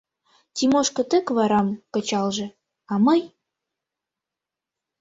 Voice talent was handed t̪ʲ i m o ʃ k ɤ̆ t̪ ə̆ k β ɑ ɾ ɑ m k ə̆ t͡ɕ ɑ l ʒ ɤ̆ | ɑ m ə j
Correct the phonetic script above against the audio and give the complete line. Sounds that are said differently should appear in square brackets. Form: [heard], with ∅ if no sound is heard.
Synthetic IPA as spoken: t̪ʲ i m o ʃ k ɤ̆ t̪ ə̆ k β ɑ ɾ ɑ m k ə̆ t͡ɕ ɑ l ʒ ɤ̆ | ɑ m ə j